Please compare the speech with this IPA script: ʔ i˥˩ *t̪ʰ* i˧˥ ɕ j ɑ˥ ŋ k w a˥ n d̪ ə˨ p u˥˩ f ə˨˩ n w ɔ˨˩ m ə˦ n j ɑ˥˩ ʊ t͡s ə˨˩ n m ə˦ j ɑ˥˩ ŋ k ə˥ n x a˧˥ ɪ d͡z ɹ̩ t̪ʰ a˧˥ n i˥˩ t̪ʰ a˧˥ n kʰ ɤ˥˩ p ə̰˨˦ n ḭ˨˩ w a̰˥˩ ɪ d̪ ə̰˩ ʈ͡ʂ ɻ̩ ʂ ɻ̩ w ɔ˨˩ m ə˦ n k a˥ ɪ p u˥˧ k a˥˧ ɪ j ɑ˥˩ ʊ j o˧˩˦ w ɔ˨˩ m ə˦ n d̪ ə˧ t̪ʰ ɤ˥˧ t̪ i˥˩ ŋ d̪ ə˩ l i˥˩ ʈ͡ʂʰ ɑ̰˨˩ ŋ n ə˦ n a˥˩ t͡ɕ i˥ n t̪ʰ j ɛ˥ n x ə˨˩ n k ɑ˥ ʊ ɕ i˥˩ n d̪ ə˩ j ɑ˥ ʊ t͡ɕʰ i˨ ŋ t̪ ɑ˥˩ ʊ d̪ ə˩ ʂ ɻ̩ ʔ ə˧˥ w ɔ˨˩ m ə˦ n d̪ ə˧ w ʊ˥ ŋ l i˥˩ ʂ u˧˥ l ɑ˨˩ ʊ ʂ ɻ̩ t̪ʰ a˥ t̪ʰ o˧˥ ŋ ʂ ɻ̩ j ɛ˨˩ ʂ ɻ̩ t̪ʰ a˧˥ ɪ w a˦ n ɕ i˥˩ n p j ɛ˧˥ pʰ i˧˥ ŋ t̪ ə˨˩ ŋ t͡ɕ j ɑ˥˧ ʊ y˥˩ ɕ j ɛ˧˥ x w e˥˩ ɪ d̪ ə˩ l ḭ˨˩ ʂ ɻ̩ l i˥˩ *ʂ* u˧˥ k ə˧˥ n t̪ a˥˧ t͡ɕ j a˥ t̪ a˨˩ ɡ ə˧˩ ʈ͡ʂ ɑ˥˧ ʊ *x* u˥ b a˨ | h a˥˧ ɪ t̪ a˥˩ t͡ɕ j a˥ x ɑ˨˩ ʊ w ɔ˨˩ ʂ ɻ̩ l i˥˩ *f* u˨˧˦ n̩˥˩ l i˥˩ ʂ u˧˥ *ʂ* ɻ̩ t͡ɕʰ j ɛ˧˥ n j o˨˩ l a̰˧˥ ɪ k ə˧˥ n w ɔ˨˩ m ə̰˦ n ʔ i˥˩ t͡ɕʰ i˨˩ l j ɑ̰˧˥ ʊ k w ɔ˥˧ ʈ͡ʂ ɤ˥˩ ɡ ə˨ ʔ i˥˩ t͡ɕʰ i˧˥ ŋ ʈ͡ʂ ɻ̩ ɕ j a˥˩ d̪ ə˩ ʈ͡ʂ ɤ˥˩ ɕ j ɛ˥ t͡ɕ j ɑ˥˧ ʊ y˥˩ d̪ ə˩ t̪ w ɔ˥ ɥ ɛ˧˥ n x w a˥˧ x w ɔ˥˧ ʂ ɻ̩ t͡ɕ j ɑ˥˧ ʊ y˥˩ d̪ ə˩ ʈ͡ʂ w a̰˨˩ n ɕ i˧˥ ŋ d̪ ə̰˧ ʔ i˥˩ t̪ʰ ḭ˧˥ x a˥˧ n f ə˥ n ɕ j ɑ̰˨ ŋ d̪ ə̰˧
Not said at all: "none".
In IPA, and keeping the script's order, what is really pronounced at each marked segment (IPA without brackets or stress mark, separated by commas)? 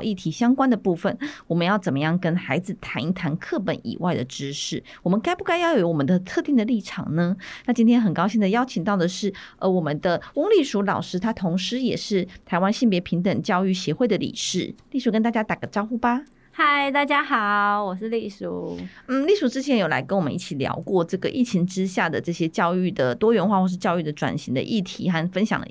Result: t̪ʰ, ʂ, x, ʂ, ʈ͡ʂ